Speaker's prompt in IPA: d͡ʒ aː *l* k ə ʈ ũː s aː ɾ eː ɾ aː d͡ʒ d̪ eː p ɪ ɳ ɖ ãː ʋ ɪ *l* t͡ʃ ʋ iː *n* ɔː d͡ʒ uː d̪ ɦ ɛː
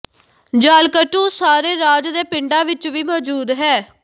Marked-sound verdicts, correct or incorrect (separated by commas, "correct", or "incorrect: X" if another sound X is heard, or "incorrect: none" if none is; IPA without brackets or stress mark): correct, incorrect: none, incorrect: m